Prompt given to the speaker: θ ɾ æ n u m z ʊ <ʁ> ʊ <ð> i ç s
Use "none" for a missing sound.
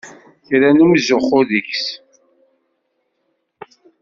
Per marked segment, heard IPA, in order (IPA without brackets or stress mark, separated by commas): χ, ð